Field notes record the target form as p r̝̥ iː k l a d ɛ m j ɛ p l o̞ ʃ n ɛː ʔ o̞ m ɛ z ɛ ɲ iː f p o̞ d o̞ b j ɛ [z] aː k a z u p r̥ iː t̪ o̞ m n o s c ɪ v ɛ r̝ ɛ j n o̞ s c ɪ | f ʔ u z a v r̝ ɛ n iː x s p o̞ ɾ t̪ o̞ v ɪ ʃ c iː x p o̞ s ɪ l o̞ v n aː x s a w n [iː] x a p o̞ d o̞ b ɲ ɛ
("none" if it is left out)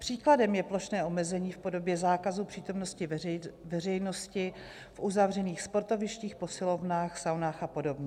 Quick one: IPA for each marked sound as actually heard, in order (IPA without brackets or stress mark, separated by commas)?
z, aː